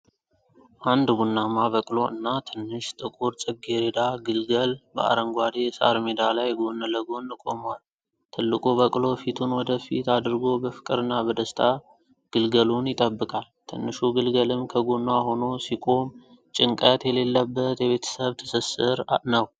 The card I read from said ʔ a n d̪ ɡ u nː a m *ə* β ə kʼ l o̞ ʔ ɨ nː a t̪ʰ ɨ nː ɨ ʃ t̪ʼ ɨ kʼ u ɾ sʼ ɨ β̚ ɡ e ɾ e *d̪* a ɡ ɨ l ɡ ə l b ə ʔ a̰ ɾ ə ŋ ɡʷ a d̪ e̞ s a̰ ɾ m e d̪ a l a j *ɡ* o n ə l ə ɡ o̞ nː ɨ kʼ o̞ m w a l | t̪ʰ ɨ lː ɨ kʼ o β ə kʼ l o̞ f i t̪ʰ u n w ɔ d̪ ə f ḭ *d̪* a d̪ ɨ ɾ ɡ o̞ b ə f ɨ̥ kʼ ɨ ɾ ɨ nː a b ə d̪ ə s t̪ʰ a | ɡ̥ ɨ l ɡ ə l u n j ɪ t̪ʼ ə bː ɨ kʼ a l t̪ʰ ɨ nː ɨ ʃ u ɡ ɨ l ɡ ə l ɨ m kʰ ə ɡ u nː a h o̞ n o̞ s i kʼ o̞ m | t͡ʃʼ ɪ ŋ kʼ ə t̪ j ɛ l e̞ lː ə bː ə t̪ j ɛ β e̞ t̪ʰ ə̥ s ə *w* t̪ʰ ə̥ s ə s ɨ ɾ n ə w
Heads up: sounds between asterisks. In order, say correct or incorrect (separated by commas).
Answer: incorrect, correct, correct, incorrect, incorrect